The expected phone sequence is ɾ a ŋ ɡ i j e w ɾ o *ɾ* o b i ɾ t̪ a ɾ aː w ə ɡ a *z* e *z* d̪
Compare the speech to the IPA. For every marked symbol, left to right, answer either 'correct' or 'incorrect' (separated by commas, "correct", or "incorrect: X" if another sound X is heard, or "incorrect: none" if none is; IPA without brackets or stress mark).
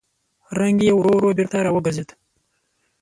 correct, correct, incorrect: none